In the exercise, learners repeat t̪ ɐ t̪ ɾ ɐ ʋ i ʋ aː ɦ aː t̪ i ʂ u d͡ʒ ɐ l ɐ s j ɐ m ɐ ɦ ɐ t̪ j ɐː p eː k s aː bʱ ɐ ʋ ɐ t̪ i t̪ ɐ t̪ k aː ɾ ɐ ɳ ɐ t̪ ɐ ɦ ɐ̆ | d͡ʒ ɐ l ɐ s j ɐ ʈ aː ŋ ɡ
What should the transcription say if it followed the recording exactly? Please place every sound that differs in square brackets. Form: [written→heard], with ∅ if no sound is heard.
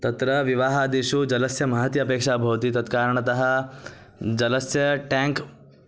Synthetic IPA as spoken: t̪ ɐ t̪ ɾ ɐ ʋ i ʋ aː ɦ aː [t̪→d̪] i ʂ u d͡ʒ ɐ l ɐ s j ɐ m ɐ ɦ ɐ t̪ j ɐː p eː k [s→ʂ] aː bʱ ɐ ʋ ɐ t̪ i t̪ ɐ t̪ k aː ɾ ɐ ɳ ɐ t̪ ɐ ɦ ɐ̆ | d͡ʒ ɐ l ɐ s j ɐ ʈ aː ŋ [ɡ→k]